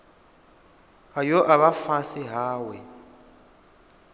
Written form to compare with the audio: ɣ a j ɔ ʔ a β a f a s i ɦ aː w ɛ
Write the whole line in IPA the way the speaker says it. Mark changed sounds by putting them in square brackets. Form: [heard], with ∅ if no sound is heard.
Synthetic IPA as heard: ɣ a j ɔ ʔ a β a f a s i ɦ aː w ɛ